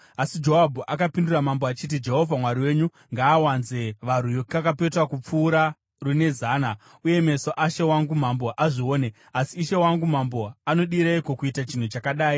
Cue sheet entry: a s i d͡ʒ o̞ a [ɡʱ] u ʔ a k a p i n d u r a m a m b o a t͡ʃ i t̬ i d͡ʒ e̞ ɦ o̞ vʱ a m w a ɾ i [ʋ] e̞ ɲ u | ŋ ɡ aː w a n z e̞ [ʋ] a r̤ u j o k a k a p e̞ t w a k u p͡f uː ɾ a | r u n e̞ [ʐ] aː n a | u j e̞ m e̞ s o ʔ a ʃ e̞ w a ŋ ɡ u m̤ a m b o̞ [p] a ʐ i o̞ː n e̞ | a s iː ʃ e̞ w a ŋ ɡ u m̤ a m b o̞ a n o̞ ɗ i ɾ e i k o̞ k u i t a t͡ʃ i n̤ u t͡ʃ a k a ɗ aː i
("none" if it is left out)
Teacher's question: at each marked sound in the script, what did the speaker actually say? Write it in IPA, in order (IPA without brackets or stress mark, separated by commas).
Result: bʱ, w, ʋ, z, ʔ